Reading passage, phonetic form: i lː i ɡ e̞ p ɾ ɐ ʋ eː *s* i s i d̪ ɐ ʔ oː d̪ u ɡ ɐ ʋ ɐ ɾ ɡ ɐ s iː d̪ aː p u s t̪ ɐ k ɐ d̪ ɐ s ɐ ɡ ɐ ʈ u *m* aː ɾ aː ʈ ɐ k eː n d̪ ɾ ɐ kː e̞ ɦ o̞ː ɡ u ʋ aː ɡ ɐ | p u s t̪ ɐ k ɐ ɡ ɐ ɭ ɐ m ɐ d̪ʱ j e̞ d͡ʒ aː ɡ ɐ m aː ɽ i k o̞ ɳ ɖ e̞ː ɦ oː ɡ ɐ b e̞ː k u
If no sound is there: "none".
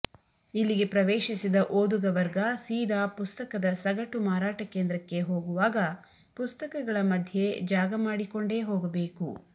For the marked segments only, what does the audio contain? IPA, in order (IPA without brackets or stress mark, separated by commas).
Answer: ʃ, m